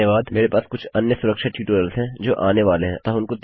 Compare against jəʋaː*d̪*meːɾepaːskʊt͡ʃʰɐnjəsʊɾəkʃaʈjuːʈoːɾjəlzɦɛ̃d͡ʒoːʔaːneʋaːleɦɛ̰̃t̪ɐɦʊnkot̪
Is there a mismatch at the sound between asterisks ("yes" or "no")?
no